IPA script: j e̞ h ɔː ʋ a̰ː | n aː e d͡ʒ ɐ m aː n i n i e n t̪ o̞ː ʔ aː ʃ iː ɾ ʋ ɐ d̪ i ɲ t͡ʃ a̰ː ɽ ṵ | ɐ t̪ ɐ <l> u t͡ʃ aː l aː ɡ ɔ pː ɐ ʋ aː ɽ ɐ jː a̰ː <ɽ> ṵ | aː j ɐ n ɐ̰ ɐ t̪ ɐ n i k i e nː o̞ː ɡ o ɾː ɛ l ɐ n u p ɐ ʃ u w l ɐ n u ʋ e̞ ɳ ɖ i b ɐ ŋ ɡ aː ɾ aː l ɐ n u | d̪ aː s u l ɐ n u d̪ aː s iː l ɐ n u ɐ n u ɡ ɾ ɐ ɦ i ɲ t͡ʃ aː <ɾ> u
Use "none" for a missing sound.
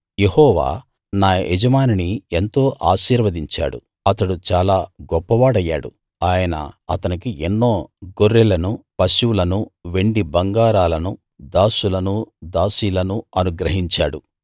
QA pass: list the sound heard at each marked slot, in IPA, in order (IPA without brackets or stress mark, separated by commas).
ɽ, ɽ, ɽ